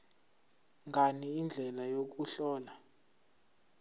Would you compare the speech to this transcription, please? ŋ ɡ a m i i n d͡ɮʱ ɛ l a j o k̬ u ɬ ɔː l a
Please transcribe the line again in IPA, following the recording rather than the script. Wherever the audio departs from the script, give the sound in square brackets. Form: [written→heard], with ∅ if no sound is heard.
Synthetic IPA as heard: ŋ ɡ a [m→n] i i n d͡ɮʱ ɛ l a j o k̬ u ɬ ɔː l a

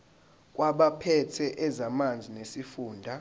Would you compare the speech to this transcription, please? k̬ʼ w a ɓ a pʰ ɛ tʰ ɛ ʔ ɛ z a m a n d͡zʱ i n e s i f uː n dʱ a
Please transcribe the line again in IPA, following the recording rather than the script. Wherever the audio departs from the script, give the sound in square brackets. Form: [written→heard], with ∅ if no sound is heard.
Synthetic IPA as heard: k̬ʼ w a ɓ a pʰ ɛ tʰ ɛ ʔ ɛ z a m a n d͡zʱ i n e s i f uː n dʱ a

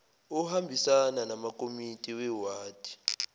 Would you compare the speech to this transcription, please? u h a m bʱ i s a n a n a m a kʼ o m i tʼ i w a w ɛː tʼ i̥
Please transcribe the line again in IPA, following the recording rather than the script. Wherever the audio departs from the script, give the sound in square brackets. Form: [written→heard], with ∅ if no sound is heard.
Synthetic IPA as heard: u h a m bʱ i s a n a n a m a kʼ o m i tʼ i w [a→ɛ] w [ɛː→aː] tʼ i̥

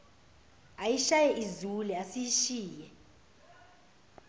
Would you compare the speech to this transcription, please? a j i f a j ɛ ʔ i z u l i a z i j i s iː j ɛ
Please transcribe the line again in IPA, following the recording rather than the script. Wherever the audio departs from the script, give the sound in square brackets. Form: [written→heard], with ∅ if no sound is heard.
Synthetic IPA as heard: a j i [f→ʃ] a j ɛ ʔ i z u l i a [z→s] i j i [s→ʃ] iː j ɛ

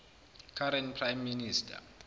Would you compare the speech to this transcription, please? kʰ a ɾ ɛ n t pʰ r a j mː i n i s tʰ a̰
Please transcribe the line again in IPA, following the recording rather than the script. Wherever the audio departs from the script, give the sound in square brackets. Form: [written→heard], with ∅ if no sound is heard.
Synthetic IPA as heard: kʰ a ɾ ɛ n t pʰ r a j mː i n i s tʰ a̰

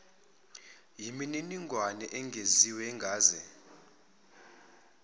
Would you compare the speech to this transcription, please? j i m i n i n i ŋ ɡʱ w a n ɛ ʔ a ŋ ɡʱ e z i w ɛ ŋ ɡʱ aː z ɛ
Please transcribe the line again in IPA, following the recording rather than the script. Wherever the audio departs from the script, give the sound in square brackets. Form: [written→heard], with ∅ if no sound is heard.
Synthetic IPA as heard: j i m i n i n i ŋ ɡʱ w a n ɛ ʔ [a→ɛ] ŋ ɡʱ e z i w ɛ ŋ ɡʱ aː z ɛ

